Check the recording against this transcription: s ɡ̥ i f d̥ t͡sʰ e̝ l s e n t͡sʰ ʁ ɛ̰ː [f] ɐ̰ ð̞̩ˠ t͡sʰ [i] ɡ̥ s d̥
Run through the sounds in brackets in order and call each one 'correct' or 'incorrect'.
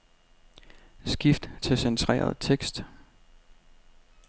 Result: incorrect: none, incorrect: e

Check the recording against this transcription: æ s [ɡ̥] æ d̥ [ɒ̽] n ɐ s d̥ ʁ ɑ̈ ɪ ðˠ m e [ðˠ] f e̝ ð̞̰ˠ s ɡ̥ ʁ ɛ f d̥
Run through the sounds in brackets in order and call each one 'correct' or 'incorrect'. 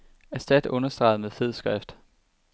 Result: incorrect: d̥, incorrect: ɔ̽, correct

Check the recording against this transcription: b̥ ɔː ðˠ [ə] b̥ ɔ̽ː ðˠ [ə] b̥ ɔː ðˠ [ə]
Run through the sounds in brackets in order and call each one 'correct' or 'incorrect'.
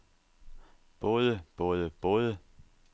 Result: correct, correct, correct

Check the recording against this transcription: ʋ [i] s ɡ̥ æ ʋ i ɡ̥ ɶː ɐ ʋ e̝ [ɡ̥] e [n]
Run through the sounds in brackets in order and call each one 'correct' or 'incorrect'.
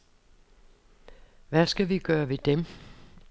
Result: incorrect: æ, incorrect: d̥, incorrect: m

